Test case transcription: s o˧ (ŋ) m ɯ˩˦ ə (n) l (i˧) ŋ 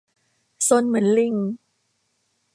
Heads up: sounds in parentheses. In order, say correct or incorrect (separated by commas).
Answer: incorrect, correct, correct